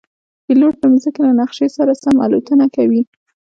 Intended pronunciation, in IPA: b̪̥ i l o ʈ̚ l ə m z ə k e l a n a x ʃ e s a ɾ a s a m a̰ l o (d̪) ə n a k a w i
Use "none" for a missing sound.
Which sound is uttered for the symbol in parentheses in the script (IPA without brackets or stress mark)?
t̪